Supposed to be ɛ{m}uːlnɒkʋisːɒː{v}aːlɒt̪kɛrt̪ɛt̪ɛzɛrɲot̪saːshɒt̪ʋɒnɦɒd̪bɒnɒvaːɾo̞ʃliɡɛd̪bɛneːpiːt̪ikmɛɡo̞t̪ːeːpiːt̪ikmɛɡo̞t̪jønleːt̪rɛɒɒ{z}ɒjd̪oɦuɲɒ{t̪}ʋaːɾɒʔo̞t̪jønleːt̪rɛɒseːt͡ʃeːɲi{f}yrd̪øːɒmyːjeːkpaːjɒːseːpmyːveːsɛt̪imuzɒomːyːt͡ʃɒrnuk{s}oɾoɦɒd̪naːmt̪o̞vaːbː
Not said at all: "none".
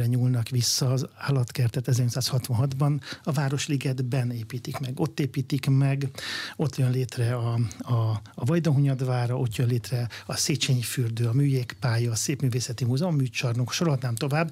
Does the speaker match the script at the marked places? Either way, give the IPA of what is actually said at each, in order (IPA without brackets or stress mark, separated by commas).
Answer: ɲ, z, v, d̪, f, ʃ